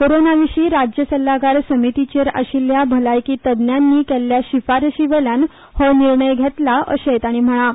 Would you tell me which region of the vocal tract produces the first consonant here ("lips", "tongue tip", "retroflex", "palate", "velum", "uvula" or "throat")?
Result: velum